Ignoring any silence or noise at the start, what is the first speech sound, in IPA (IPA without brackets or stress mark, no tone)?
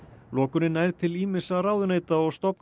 l